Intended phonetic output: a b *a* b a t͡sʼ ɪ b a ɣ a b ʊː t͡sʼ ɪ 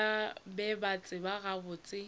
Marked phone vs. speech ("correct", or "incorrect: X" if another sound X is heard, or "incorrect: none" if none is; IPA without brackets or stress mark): incorrect: ɛ